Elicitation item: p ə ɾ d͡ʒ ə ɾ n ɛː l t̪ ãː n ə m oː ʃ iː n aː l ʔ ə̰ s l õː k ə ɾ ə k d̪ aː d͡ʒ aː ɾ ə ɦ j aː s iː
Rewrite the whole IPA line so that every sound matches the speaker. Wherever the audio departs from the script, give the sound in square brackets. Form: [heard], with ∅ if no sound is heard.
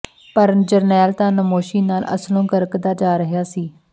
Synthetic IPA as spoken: p ə ɾ d͡ʒ ə ɾ n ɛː l t̪ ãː n ə m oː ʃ iː n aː l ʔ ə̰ s l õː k ə ɾ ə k d̪ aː d͡ʒ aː ɾ ə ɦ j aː s iː